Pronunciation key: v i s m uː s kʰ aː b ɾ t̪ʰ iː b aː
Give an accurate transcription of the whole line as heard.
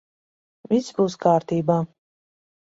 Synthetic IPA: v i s b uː s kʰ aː ɾ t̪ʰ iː b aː